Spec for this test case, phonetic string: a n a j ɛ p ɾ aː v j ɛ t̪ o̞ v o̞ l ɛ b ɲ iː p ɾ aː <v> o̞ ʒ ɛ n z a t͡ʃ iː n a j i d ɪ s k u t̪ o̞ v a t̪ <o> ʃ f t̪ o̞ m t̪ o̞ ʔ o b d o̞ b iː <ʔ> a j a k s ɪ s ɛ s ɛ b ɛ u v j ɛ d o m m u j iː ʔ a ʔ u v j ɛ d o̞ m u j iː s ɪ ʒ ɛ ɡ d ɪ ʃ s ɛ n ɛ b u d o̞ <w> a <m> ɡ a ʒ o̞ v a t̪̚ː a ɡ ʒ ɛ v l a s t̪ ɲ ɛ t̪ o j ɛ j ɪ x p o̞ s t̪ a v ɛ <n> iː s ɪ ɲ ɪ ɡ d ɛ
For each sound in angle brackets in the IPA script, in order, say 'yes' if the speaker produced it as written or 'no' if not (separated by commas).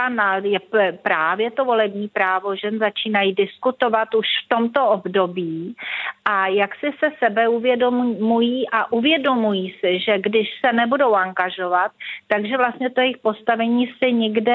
yes, no, yes, yes, no, no